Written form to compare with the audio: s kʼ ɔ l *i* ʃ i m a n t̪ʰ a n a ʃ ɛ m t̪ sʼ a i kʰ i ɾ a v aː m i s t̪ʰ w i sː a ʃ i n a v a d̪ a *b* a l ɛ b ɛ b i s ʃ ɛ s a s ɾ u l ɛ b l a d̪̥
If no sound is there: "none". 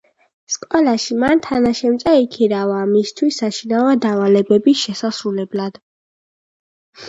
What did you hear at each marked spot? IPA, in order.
a, v

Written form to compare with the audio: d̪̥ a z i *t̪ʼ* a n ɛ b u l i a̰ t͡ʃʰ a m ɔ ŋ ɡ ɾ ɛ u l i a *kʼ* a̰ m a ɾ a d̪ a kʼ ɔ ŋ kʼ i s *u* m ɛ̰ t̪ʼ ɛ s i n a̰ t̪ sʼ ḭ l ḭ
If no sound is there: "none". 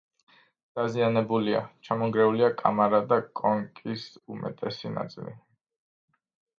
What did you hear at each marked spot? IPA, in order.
none, kʼ, u

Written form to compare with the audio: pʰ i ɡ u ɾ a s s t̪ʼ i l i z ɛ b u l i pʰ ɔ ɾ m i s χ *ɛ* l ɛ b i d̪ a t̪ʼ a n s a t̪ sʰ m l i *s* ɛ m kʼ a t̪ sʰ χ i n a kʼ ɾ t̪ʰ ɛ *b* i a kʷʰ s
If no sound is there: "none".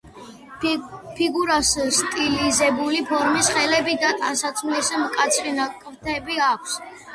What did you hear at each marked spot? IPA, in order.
ɛ, s, b

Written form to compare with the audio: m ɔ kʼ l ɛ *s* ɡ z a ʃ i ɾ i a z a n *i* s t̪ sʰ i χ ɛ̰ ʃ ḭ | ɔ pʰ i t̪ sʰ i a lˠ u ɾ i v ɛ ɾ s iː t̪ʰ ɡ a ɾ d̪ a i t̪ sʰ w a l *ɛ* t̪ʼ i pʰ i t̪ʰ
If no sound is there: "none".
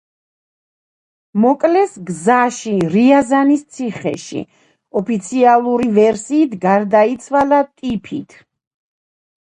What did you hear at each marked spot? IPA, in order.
s, i, a

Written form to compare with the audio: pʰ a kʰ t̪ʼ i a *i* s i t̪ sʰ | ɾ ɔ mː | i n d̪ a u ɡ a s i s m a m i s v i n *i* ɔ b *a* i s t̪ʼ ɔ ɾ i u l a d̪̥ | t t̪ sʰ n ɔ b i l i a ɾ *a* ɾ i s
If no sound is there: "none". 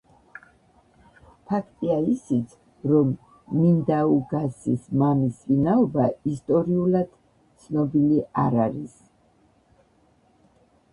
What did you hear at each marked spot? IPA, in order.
i, a, a, a

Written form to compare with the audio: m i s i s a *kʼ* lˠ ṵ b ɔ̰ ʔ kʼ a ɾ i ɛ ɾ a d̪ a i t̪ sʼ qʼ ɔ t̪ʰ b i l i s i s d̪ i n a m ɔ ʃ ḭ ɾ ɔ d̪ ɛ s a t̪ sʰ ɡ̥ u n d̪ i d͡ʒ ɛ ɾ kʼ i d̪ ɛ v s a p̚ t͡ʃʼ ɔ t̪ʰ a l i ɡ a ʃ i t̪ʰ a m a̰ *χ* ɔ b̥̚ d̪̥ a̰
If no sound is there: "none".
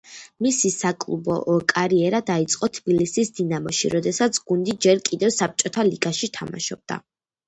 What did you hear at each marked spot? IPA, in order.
kʼ, ʃ

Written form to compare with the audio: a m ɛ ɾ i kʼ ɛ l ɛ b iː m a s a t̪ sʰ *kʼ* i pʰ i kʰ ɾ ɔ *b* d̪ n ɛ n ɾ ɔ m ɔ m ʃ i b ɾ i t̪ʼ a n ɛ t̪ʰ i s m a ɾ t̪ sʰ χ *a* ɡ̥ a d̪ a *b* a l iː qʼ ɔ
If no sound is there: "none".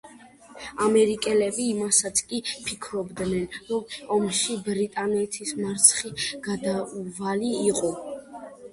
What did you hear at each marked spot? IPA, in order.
kʼ, b, i, v

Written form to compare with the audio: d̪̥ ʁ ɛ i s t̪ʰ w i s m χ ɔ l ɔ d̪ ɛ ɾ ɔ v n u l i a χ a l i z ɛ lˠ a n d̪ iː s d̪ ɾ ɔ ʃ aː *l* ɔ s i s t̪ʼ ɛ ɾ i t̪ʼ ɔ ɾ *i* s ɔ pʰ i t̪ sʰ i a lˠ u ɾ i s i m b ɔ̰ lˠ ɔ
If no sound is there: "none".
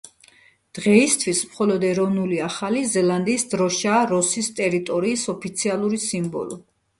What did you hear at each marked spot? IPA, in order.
ɾ, iː

